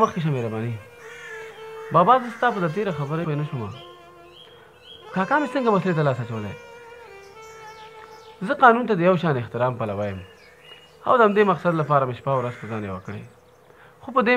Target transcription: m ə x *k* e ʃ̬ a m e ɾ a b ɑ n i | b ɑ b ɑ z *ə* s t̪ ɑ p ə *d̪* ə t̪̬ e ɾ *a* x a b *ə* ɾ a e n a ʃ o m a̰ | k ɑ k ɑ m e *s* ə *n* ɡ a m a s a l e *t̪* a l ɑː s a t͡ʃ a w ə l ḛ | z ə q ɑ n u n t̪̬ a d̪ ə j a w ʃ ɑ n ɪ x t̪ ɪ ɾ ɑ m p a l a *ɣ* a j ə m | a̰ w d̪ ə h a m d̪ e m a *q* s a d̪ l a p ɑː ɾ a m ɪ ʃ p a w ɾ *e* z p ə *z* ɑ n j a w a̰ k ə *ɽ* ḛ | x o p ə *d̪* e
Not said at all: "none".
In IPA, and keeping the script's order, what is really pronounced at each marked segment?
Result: k, ə, d̪, a, ə, s, ŋ, t̪, w, q, a, z, ɽ, d̪

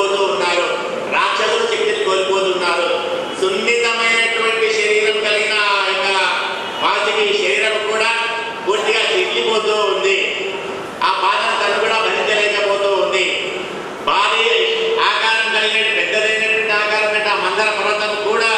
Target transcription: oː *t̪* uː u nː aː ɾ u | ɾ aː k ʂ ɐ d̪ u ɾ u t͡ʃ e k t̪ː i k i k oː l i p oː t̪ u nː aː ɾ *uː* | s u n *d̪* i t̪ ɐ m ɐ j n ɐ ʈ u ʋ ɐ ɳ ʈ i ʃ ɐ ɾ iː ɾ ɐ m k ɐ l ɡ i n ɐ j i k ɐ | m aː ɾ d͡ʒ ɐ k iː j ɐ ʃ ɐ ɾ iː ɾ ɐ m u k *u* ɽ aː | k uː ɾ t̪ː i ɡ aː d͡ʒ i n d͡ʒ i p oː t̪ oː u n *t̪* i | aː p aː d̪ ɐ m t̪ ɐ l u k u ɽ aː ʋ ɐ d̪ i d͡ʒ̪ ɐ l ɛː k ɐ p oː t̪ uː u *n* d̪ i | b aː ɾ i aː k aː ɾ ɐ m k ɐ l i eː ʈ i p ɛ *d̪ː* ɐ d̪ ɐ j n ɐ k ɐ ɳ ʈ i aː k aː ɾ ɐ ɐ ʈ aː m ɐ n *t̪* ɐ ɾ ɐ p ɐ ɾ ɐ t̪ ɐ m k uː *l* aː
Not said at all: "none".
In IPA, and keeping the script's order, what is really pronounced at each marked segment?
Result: t̪, u, d̪, uː, d̪, n, d̪ː, d̪, ɽ

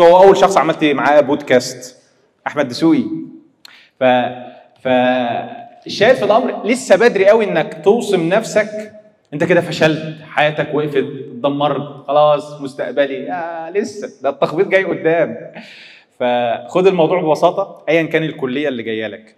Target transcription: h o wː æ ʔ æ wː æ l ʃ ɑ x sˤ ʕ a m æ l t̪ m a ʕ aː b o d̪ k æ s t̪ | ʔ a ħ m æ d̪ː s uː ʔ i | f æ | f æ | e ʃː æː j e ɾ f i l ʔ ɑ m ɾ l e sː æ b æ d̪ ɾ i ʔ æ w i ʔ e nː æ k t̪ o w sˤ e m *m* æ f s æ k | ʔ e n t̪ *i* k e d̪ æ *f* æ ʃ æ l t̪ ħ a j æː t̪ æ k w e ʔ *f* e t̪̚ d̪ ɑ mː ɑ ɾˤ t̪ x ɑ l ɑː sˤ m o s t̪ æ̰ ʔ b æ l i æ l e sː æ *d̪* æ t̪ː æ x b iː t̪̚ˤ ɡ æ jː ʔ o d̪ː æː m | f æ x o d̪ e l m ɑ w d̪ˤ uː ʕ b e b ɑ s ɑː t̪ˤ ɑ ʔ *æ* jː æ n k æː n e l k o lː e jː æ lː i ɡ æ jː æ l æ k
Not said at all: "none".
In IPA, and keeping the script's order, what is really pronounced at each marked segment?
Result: n, æ, f, f, d̪, æ

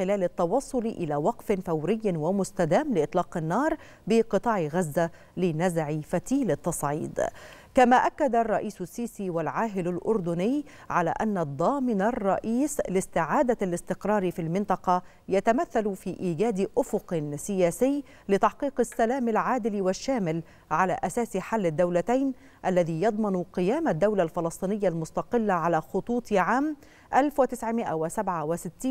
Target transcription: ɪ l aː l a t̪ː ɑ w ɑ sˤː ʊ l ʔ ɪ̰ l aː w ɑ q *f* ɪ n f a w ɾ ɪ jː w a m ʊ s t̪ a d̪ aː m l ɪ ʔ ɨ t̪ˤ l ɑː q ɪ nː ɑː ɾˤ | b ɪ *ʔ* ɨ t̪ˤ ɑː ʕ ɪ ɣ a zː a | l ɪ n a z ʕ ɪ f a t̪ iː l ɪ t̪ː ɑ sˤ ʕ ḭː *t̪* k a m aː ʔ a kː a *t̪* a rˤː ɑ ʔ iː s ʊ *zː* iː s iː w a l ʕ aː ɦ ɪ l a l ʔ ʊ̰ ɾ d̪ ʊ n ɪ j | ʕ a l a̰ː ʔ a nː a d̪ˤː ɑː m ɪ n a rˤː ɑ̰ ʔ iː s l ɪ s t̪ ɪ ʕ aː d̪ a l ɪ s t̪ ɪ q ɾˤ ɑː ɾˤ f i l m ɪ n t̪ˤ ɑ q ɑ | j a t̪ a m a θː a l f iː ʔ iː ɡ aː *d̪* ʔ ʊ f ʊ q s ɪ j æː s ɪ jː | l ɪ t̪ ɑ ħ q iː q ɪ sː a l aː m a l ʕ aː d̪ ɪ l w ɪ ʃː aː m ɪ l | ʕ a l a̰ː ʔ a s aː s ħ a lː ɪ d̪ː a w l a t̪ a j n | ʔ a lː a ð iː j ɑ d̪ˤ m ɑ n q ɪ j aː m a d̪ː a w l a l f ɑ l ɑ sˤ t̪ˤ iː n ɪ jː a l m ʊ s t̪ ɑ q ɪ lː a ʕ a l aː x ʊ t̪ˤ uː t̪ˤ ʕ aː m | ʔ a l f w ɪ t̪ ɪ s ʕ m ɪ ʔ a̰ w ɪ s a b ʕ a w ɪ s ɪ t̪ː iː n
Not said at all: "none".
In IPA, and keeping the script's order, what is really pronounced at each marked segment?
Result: f, q, d̪, d̪, sː, d̪

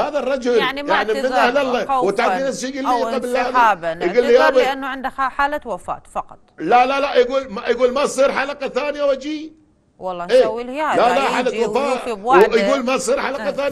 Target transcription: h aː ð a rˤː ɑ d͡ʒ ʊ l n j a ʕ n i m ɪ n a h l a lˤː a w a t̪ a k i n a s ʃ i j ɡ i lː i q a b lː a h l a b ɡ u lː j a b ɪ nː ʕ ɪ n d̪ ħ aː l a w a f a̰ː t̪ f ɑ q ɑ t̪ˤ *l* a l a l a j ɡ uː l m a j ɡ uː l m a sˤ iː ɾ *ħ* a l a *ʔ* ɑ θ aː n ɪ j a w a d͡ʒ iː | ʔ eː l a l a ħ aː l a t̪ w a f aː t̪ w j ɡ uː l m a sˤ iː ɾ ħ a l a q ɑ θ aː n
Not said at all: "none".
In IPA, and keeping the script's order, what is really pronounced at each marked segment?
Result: l, ħ, q

